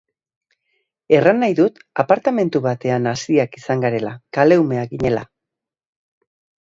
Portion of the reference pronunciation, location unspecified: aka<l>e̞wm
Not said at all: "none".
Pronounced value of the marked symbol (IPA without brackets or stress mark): l